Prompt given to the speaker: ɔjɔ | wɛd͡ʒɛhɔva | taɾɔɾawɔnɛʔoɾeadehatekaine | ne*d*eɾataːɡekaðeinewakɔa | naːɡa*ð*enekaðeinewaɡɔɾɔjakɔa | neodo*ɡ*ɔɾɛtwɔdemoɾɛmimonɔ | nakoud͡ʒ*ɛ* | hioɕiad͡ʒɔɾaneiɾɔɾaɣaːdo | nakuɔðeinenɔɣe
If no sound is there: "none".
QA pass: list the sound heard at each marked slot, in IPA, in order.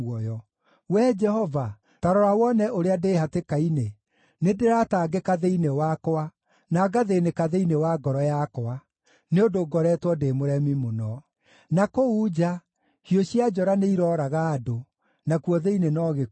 d, ð, ɡ, a

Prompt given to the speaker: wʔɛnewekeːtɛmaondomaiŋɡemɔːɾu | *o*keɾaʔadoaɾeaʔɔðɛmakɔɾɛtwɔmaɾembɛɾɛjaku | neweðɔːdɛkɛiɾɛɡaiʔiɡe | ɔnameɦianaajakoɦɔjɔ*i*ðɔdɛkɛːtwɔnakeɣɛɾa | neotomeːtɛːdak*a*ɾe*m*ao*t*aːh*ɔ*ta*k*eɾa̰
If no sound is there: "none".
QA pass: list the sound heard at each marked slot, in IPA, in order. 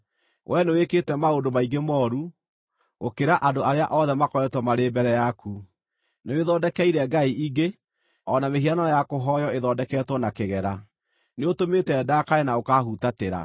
o, e, a, n, k, u, t

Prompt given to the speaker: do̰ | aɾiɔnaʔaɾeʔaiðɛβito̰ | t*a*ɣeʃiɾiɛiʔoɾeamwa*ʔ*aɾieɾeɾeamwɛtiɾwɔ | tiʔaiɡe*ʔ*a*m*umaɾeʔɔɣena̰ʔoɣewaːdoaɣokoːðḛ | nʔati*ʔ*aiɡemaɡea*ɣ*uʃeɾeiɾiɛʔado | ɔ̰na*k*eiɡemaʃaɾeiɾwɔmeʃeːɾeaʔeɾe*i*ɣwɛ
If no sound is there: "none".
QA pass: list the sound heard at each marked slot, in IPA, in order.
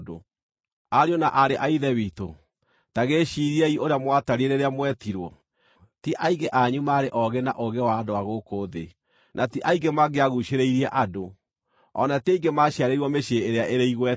a, t, ʔ, ɲ, ʔ, ɣ, t, i

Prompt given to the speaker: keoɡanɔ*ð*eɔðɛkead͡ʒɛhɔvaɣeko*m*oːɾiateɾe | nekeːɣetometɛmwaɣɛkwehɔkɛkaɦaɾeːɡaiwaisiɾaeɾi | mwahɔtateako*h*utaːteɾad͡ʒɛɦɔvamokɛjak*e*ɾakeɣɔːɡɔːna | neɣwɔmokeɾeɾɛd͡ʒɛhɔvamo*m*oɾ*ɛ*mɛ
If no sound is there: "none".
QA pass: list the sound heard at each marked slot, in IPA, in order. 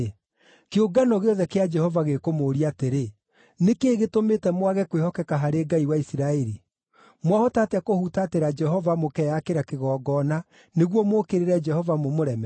ɣ, m, h, e, m, ɛ

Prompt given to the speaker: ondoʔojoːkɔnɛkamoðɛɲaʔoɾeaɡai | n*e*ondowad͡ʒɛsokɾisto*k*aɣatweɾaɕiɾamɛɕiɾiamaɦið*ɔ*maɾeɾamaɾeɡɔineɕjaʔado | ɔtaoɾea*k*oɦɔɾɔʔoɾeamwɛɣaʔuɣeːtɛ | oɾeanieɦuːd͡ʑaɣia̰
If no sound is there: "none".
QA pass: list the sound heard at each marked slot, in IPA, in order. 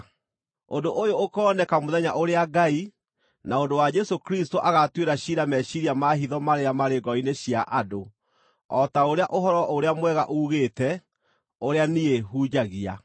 a, ʔ, ɔ, ʔ

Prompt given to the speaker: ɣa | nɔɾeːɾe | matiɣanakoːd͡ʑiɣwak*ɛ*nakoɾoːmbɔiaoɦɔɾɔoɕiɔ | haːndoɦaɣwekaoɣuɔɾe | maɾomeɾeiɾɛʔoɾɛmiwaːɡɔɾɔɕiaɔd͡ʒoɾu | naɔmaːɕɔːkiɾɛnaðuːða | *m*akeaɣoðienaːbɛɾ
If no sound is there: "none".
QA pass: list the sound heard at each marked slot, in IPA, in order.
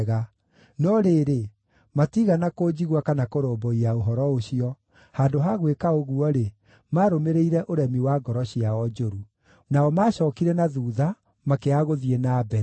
a, m

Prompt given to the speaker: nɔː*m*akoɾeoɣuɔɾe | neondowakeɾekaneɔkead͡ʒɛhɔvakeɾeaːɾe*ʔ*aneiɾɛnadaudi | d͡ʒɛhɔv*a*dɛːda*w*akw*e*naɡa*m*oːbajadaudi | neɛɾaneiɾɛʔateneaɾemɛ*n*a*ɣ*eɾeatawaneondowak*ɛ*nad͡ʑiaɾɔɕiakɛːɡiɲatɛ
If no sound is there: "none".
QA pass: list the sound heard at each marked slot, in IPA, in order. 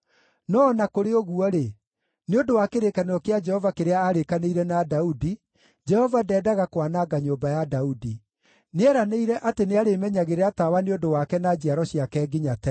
n, k, a, ɣ, a, ɲ, ɲ, ɣ, ɛ

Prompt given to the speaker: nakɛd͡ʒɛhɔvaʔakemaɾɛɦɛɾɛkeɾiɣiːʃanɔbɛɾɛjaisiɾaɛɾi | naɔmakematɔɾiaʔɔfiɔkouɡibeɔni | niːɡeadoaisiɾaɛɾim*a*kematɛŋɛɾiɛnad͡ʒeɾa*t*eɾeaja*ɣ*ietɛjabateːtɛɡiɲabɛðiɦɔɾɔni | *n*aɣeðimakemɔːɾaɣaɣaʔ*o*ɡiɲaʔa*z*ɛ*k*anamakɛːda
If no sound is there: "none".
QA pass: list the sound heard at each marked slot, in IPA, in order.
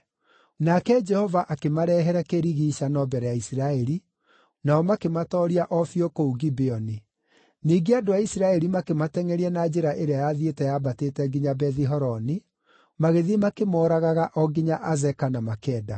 a, ʔ, ð, m, ɔ, z, k

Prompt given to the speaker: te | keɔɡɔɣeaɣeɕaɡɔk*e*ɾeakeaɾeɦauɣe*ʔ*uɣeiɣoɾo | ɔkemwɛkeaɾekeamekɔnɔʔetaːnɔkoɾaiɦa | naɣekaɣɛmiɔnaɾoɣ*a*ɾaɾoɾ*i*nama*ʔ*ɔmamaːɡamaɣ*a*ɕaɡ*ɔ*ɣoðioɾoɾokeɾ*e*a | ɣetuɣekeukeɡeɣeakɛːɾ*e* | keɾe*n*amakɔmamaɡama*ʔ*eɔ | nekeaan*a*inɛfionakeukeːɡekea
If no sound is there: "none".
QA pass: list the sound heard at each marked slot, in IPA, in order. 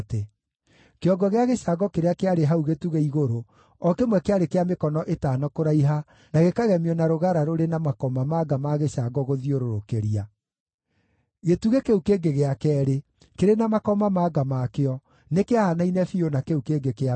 e, t, a, e, k, e, ɔ, i, e, n, k, a

